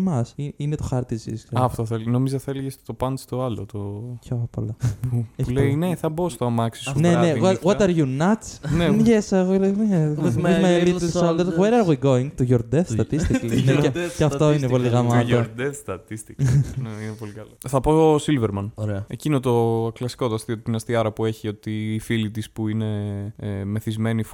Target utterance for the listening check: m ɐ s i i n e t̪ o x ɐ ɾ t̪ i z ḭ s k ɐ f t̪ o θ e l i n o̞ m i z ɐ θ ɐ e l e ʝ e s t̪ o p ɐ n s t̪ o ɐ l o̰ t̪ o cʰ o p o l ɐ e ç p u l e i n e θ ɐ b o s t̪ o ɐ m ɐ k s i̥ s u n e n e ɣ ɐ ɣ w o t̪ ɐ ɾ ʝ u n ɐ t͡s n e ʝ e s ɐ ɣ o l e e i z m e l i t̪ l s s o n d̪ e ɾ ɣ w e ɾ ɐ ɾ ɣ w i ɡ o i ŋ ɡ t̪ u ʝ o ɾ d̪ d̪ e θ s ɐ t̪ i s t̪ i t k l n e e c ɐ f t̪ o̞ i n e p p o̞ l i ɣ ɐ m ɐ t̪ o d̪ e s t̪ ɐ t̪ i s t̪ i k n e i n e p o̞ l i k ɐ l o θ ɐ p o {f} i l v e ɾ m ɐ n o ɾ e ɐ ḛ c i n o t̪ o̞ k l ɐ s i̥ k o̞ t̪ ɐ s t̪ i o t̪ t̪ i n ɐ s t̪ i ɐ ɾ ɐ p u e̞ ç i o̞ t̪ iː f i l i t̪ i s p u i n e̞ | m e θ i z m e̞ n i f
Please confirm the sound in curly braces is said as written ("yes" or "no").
no